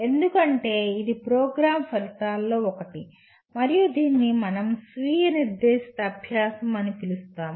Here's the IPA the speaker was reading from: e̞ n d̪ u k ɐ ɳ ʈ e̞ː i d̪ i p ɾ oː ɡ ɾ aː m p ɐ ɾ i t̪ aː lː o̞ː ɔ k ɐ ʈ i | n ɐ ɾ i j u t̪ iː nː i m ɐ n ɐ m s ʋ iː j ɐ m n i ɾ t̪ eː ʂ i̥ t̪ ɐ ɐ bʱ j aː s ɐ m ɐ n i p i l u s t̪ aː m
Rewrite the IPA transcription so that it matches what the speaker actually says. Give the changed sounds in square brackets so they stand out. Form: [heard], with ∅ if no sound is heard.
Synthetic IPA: e̞ n d̪ u k ɐ ɳ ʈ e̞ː i d̪ i p ɾ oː ɡ ɾ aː m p ɐ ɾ i t̪ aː lː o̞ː ɔ k ɐ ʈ i | [m] ɐ ɾ i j u [d̪] iː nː i m ɐ n ɐ m s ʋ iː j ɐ [∅] n i ɾ [d̪] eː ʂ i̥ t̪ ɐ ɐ bʱ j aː s ɐ m ɐ n i p i l u s t̪ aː m